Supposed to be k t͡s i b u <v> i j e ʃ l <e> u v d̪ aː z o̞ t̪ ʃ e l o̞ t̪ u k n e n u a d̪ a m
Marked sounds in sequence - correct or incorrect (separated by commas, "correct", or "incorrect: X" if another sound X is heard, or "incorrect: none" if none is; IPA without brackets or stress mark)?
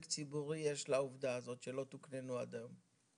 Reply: incorrect: ʁ, incorrect: a